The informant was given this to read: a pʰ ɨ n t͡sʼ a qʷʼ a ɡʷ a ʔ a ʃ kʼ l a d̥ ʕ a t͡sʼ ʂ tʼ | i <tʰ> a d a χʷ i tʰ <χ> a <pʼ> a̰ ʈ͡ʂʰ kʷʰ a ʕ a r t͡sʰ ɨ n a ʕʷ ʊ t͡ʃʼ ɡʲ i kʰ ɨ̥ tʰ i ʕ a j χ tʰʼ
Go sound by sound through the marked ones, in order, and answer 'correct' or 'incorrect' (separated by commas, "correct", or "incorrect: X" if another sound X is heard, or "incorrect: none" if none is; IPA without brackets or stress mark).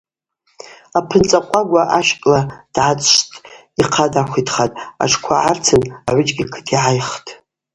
incorrect: qʰ, correct, incorrect: tʼ